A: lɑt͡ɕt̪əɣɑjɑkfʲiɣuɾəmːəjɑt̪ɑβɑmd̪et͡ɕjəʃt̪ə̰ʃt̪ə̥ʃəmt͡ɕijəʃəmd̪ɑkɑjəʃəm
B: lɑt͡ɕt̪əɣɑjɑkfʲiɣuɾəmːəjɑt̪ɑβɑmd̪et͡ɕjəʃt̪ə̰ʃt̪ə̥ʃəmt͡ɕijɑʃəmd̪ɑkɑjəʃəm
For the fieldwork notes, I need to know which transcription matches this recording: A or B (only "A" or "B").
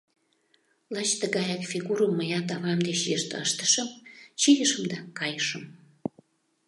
A